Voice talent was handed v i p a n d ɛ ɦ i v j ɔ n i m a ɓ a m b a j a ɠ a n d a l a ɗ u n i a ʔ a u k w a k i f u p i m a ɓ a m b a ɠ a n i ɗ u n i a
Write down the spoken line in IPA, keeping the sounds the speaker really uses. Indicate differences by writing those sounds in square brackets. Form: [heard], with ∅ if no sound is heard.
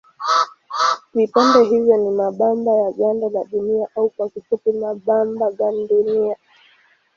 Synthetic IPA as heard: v i p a n d ɛ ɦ i v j ɔ n i m a ɓ a m b a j a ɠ a n d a l a ɗ u n i a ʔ a u k w a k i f u p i m a ɓ a m b a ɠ a n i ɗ u n i a